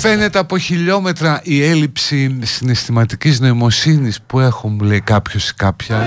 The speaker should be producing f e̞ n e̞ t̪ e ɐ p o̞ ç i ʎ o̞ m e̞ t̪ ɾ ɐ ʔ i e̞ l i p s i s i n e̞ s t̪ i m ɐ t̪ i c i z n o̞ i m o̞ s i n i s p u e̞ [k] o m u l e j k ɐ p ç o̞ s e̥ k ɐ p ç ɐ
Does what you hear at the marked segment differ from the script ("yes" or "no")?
yes